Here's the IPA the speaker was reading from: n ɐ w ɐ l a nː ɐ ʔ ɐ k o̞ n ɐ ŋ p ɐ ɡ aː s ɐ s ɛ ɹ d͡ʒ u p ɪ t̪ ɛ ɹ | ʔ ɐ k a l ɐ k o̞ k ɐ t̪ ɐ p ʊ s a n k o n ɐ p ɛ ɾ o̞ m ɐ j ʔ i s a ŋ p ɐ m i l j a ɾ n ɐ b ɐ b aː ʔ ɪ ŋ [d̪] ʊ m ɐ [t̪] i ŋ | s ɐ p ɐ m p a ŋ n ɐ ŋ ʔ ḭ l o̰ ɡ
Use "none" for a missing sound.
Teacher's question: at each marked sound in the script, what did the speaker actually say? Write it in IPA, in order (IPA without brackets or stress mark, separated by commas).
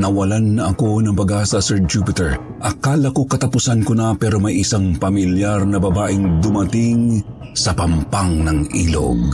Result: d̪, t̪